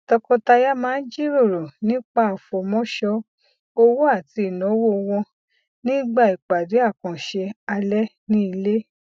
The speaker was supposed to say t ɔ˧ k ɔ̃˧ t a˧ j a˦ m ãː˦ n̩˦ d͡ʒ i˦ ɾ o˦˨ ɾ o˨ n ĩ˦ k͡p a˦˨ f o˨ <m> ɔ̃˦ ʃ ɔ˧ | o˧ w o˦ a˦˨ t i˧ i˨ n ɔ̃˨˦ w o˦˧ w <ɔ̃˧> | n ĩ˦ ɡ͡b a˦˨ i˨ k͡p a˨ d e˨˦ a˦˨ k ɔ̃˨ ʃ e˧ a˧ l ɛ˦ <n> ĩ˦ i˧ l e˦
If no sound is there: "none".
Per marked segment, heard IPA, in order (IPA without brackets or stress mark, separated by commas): m, ɔ̃˧, n